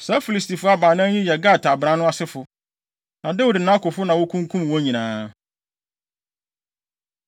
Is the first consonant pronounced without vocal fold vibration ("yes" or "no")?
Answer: yes